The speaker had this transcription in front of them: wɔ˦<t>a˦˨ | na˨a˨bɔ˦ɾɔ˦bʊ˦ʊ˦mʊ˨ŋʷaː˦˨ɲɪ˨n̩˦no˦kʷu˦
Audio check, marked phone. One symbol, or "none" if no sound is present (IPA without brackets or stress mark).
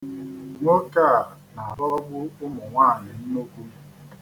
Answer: k